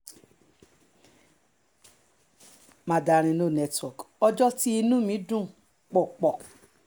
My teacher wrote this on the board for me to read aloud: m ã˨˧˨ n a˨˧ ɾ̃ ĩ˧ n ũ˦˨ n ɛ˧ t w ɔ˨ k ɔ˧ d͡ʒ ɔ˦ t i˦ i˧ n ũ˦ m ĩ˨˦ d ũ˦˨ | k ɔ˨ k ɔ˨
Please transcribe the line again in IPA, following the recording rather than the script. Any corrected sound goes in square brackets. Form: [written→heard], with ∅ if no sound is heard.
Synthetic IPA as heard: m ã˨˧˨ [n→d] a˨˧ ɾ̃ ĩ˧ n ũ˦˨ n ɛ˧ t w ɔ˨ k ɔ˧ d͡ʒ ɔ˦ t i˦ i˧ n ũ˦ m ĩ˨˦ d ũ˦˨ | [k→k͡p] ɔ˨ [k→k͡p] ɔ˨